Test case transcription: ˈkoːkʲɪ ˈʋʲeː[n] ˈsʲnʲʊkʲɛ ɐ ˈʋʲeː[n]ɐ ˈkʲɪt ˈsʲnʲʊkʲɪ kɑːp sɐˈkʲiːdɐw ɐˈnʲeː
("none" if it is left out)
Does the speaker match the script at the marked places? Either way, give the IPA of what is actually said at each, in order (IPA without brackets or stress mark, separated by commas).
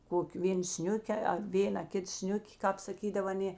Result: n, n